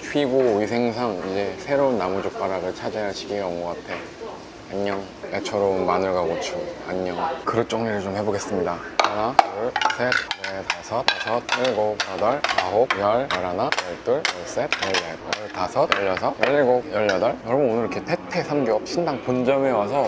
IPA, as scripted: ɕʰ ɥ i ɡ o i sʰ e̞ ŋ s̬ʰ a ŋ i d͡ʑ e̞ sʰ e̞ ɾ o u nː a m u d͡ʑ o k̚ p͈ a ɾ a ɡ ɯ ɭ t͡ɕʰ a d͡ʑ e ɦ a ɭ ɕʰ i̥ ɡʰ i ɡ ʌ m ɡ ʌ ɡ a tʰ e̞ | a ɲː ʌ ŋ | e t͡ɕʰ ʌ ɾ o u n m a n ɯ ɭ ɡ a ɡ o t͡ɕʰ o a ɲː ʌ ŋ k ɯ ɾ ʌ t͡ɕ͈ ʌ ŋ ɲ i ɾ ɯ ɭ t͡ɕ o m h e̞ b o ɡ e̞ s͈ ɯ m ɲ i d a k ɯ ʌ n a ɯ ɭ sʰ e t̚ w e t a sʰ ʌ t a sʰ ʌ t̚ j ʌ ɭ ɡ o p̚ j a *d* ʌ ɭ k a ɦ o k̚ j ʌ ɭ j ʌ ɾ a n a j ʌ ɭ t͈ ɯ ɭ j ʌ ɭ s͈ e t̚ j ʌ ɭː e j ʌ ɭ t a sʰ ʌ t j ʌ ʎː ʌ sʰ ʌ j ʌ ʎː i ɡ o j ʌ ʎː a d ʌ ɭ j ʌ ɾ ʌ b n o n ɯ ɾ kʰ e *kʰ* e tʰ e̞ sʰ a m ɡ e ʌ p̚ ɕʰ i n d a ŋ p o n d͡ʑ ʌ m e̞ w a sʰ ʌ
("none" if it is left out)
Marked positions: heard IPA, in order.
d, tʰ

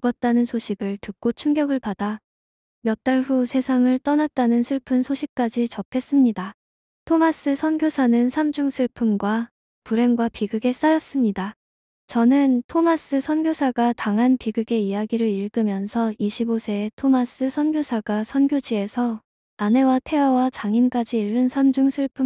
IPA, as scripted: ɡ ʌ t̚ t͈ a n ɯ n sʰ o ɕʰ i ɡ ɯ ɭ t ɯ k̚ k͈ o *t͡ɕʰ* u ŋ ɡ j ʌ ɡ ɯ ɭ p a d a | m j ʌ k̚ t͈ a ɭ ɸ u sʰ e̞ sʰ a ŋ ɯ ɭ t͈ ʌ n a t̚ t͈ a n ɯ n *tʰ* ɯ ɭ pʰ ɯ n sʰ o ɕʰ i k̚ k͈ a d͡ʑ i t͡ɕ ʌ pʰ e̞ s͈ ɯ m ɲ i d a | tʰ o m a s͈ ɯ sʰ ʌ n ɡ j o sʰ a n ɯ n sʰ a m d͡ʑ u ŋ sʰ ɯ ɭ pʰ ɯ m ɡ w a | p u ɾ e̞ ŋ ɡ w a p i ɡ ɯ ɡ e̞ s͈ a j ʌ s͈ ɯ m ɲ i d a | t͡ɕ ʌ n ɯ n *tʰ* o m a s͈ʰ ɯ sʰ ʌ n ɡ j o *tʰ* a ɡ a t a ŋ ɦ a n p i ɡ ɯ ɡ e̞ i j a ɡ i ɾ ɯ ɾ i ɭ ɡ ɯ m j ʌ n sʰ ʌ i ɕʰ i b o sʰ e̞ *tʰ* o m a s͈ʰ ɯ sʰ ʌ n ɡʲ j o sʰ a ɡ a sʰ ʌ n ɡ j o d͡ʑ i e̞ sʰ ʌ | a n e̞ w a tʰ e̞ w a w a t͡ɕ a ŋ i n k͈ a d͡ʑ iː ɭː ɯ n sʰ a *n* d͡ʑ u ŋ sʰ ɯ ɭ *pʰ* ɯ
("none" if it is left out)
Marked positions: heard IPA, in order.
t͡ɕʰ, sʰ, tʰ, sʰ, tʰ, m, pʰ

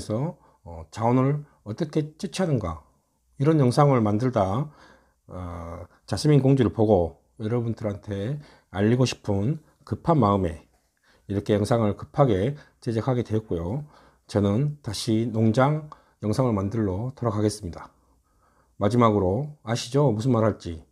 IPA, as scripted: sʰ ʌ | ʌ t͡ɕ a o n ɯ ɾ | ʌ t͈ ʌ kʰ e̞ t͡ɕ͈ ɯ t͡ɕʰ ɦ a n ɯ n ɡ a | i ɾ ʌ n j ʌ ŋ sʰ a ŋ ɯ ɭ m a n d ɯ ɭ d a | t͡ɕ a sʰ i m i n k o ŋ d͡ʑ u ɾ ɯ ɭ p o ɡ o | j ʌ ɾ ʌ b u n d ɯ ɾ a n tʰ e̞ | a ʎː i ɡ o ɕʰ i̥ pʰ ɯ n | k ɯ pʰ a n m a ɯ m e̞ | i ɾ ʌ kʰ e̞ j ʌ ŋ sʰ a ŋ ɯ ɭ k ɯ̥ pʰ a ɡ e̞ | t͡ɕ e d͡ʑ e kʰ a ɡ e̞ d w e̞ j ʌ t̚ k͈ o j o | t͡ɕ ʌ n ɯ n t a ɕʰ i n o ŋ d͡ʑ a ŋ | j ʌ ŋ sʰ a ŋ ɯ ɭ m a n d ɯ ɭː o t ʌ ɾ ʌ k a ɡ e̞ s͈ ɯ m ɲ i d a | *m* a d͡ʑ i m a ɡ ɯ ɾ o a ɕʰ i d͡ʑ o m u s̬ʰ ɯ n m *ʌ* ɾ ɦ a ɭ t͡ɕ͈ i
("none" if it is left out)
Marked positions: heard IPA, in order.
m, a

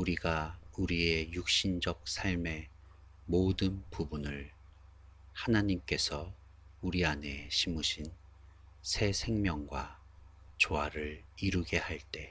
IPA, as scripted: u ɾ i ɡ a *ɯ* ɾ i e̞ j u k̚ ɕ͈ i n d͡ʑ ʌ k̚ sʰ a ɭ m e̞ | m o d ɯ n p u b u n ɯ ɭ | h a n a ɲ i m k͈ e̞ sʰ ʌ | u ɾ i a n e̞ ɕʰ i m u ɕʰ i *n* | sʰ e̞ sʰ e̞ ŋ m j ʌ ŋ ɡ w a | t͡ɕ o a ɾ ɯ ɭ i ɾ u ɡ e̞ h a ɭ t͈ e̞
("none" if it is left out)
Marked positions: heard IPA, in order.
u, n

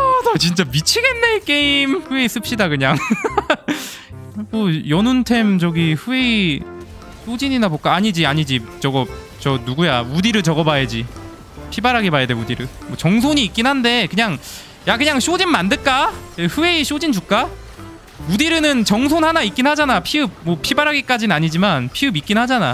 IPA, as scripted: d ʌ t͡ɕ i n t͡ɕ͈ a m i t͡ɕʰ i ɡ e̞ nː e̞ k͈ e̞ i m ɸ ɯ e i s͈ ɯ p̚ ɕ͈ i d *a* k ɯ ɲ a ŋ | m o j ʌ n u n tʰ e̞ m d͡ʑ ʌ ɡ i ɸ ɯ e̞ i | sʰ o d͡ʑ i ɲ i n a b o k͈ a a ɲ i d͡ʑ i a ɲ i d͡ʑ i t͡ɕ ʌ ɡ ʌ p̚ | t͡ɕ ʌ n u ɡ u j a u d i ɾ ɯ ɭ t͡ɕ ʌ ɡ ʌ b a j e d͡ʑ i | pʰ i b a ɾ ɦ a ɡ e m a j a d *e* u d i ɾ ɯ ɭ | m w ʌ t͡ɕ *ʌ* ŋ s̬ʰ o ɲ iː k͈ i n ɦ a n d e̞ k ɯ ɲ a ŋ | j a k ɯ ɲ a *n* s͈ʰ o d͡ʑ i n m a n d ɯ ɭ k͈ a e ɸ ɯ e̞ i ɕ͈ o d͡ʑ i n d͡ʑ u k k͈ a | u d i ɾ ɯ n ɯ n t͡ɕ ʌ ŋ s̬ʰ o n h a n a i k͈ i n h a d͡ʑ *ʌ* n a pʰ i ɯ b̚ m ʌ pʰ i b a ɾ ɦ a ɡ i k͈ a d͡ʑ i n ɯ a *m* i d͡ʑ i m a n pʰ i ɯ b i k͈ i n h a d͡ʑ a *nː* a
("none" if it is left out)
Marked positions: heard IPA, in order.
a, e, ʌ, ŋ, a, ɲ, n

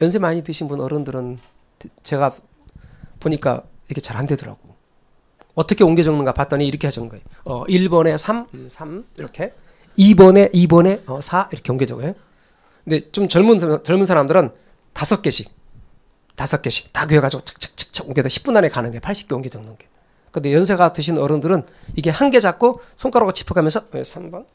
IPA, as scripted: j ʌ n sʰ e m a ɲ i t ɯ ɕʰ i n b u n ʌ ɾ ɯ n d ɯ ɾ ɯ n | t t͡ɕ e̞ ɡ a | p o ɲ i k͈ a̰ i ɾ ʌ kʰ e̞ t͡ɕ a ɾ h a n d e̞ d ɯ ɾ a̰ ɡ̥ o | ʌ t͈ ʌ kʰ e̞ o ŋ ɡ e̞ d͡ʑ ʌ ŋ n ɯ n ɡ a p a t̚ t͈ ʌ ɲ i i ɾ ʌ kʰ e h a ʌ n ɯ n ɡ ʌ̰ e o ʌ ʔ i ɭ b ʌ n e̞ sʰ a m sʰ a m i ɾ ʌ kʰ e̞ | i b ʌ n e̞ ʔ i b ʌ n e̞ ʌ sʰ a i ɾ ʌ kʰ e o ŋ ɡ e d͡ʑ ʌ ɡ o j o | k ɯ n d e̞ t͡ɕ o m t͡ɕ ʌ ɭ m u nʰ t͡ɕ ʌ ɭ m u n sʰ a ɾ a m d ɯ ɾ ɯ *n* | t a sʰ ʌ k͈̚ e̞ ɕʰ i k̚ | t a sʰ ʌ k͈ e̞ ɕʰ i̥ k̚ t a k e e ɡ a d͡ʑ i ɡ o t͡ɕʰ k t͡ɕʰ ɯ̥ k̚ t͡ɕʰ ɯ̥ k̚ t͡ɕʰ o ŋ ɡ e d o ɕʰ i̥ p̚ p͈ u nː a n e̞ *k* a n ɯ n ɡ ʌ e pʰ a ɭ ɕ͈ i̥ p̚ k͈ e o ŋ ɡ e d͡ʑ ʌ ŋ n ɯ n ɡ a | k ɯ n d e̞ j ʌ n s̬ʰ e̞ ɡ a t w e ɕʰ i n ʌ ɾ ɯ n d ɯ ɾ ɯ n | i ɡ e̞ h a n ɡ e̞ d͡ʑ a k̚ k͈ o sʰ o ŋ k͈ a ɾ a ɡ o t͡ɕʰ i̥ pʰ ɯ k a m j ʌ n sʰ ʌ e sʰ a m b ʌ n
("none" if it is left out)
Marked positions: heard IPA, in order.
n, k

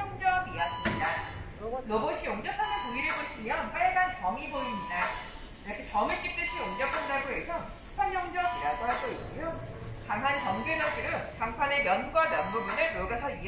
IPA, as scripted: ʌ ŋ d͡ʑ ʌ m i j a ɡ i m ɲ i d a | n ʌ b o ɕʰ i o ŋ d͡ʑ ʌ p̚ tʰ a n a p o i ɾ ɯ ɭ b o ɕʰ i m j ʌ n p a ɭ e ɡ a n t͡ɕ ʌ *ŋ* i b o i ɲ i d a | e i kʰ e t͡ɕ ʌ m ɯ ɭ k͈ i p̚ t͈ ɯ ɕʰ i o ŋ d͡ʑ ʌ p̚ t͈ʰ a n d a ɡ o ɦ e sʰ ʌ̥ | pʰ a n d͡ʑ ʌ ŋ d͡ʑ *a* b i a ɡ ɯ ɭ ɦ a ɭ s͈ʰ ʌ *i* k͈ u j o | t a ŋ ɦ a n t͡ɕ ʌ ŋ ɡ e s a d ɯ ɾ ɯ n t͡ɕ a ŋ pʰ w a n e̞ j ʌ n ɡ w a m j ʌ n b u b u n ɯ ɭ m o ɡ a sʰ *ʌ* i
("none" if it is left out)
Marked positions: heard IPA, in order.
ŋ, ʌ, i, ʌ

